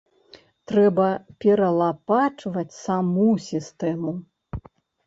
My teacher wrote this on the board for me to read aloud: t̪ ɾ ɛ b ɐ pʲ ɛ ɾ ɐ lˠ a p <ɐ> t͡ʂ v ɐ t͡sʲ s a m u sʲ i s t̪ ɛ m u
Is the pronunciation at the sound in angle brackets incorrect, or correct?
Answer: incorrect